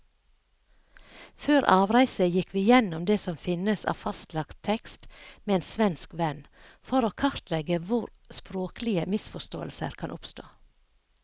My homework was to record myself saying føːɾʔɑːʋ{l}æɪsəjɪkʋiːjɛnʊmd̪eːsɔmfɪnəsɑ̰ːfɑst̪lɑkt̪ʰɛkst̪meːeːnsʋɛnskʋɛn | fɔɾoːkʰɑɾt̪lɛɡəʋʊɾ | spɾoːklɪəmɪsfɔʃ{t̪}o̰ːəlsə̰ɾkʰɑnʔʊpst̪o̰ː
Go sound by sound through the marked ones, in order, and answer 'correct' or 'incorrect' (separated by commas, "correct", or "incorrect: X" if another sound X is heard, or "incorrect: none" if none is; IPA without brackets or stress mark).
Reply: incorrect: ɾ, correct